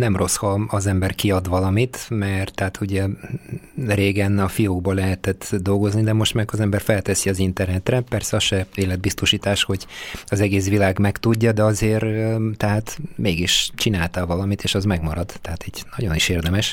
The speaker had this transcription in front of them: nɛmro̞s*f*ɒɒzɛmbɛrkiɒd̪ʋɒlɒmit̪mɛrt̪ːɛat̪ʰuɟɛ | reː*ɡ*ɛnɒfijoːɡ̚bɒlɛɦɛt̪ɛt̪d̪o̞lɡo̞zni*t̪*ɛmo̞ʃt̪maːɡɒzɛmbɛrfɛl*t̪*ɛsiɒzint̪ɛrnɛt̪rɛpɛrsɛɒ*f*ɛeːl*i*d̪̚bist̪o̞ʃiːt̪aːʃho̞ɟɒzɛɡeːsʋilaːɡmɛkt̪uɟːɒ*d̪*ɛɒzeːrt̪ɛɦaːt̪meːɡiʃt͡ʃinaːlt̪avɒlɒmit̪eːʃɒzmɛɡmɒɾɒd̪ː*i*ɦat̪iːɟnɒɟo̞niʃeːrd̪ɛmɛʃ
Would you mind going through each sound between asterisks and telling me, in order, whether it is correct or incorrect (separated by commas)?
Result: incorrect, correct, incorrect, correct, incorrect, incorrect, correct, incorrect